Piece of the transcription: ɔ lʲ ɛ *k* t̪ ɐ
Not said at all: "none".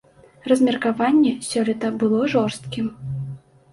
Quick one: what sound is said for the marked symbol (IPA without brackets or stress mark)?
none